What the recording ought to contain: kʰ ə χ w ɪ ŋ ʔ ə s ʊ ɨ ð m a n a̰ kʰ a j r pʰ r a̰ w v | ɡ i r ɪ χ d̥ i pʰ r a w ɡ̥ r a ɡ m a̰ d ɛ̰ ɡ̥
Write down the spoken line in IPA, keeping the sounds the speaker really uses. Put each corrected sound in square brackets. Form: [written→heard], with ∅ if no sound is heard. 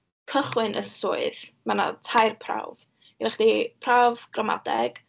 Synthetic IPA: kʰ ə χ w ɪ [ŋ→n] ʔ ə s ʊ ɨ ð m a n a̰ [kʰ→tʰ] a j r pʰ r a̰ w v | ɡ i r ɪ χ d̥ i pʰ r a [w→v] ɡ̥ r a [ɡ→∅] m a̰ d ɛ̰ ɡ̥